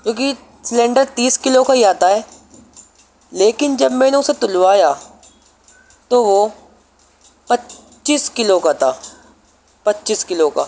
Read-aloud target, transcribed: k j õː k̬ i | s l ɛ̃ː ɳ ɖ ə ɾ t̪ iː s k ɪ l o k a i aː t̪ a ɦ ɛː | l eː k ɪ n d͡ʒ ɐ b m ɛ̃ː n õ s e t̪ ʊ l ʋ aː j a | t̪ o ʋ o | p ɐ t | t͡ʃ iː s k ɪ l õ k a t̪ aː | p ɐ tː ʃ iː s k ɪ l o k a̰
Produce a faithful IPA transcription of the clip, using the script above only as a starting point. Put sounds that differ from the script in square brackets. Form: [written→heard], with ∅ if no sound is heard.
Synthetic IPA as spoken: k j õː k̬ i | s l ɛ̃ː ɳ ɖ ə ɾ t̪ iː s k ɪ l o k a i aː t̪ a ɦ ɛː | l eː k ɪ n d͡ʒ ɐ b m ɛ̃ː n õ s e t̪ ʊ l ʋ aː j a | t̪ o ʋ o | p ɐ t | t͡ʃ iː s k ɪ l [õ→o] k a t̪ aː | p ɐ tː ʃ iː s k ɪ l o k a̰